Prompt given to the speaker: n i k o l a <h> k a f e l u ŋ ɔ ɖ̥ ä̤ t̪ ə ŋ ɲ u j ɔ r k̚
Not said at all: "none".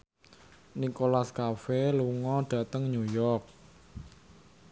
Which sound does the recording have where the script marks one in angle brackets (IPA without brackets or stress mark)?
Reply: s